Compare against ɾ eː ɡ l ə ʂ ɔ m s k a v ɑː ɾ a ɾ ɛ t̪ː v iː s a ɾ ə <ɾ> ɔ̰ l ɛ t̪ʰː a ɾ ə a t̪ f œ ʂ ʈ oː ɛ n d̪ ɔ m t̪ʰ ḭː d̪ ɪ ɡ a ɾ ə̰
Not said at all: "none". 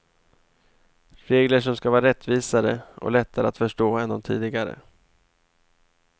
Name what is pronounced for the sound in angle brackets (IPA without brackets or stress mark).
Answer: none